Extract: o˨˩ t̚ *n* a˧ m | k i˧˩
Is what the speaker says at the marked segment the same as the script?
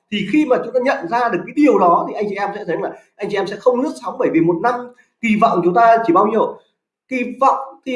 yes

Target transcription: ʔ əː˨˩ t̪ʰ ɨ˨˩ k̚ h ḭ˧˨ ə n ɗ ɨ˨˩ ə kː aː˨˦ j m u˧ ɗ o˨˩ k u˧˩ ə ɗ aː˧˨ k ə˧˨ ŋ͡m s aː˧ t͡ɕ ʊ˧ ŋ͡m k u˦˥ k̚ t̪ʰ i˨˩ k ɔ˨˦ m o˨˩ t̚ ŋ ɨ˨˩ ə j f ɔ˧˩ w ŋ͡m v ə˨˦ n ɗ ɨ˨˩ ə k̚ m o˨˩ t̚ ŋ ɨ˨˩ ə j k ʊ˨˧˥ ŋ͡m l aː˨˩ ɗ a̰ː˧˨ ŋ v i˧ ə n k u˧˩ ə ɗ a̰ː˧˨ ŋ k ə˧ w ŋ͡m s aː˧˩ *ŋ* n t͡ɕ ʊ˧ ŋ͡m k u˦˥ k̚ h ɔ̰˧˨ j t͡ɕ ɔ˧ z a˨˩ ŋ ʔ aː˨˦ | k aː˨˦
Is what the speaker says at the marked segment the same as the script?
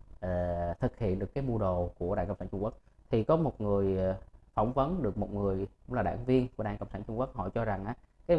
no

